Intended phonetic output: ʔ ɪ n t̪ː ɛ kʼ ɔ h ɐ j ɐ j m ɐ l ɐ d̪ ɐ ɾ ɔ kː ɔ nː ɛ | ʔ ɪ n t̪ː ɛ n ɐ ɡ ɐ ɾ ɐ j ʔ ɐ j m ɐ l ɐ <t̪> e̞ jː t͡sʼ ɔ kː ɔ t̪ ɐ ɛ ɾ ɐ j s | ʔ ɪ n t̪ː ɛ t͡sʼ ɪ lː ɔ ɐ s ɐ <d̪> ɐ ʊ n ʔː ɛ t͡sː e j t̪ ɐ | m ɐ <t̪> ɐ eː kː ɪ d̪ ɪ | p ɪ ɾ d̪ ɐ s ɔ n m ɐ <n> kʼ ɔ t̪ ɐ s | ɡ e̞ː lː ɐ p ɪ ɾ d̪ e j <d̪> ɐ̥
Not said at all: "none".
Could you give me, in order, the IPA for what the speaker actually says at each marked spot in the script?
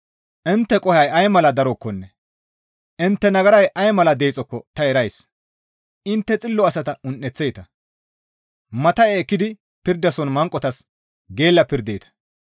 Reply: d̪, t̪, t̪, ŋ, t̪

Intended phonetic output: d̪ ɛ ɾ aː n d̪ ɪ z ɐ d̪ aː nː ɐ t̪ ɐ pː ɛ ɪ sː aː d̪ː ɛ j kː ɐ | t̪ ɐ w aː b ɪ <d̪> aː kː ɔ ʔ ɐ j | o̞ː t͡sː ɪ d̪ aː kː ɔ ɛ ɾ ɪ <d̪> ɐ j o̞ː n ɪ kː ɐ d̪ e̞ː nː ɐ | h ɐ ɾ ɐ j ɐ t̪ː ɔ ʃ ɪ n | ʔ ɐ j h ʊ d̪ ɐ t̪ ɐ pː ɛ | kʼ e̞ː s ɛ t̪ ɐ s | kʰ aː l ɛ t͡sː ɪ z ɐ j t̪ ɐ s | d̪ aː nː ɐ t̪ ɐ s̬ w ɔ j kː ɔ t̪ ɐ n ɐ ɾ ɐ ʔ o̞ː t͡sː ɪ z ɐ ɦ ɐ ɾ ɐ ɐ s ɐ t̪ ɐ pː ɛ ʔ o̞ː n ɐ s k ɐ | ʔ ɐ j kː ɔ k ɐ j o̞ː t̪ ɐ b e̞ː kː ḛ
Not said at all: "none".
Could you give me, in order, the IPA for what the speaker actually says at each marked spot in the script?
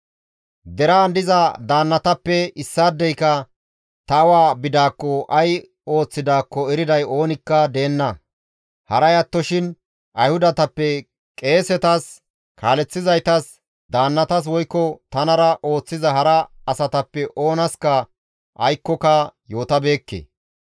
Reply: d̪, d̪

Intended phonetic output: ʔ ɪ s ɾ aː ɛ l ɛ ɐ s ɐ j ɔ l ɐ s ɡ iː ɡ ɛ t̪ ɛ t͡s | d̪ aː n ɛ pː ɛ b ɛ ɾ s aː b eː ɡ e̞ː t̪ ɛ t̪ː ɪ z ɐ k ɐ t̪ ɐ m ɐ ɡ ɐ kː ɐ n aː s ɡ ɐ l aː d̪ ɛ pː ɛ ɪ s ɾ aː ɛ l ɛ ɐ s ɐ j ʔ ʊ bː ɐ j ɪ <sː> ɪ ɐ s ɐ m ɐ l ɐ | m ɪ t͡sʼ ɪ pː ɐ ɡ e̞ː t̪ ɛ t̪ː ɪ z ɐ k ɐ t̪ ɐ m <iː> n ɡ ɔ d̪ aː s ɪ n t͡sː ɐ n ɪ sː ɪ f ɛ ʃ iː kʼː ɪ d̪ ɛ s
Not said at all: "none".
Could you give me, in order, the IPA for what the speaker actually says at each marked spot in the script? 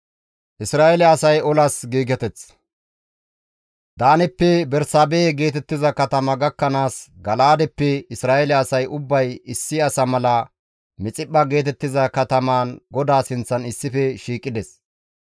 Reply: sː, aː

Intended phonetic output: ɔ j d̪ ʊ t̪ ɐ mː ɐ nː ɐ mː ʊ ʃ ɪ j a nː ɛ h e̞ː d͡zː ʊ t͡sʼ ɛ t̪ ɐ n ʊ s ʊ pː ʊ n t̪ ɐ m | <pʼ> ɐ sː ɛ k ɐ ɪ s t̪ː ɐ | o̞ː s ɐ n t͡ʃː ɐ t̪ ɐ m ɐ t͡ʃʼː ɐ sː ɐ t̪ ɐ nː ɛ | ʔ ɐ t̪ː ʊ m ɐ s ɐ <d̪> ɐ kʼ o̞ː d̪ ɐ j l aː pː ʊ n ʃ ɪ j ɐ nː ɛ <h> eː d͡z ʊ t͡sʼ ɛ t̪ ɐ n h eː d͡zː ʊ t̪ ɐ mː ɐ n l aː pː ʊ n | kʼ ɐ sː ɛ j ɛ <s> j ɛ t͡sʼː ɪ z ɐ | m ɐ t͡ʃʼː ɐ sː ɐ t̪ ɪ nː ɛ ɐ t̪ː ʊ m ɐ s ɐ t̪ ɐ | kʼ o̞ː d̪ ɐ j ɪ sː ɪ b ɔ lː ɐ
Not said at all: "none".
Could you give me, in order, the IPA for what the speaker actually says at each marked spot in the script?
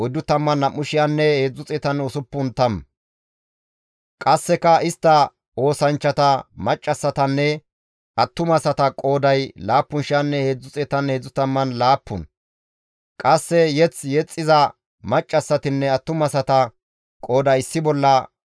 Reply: kʼ, t̪, h, t͡s

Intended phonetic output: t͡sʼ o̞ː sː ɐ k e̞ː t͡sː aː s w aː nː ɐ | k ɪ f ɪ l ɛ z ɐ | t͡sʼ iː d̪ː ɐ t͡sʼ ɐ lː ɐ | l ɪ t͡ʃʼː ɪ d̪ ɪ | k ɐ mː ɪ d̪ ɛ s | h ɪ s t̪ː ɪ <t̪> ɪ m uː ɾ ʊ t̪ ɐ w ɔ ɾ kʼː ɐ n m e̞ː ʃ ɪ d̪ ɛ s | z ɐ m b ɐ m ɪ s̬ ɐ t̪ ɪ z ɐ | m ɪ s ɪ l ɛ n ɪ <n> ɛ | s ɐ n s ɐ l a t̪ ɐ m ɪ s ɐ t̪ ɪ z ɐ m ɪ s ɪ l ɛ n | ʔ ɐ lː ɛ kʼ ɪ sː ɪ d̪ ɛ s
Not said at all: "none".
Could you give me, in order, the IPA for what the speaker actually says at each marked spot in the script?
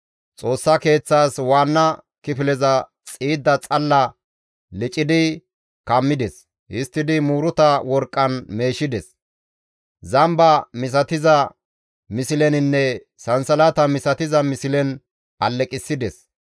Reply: d̪, nː

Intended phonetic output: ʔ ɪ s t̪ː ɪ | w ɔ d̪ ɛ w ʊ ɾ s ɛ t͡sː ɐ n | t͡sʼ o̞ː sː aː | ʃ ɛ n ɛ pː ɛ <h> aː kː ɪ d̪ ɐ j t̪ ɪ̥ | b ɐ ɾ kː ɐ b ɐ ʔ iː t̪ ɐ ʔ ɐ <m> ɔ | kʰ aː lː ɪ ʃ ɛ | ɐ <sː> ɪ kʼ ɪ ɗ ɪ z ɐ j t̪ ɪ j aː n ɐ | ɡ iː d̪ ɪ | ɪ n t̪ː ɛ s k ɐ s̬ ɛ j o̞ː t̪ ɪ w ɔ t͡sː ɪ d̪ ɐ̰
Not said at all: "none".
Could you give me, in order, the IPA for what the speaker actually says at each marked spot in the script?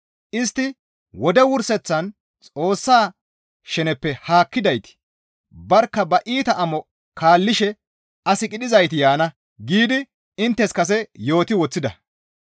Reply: h, m, s

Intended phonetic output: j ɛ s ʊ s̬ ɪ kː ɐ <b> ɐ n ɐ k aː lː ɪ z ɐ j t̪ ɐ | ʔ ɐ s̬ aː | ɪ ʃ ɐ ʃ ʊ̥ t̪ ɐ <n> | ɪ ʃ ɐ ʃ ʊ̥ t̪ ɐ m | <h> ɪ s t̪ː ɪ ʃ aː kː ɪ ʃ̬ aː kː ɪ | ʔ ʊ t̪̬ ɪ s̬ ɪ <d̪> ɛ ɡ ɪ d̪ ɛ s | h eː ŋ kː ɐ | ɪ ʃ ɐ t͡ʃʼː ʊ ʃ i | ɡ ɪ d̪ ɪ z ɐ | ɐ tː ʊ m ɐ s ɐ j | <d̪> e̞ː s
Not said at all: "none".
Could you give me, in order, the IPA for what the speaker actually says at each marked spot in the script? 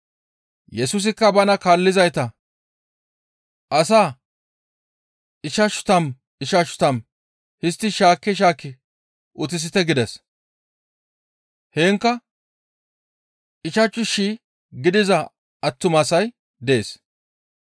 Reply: b, m, h, t̪, d̪

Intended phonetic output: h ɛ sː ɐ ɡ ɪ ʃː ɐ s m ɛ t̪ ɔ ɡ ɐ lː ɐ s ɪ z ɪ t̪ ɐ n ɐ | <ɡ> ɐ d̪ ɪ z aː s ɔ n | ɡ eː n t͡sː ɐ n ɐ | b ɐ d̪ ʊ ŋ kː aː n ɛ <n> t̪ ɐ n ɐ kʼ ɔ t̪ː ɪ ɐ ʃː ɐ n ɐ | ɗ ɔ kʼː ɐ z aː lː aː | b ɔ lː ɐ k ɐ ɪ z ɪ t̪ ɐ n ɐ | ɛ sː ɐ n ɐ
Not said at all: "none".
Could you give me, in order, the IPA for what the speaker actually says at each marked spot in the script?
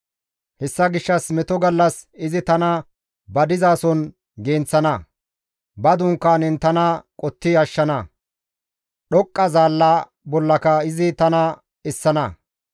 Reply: b, n

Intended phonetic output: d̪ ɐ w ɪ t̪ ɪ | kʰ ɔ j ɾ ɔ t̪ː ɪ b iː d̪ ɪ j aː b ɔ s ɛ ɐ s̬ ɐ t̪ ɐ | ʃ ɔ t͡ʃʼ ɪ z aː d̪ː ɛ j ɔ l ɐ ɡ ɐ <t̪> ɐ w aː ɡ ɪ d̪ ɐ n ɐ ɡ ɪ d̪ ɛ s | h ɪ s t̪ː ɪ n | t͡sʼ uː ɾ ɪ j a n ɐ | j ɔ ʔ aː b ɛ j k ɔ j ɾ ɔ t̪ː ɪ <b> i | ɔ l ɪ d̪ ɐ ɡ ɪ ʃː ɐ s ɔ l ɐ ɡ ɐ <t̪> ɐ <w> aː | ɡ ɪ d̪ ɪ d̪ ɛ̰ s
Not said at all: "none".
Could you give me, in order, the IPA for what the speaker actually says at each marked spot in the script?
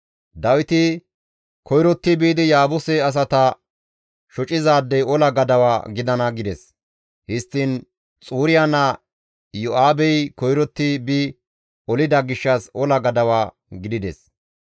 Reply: d̪, b, d̪, w

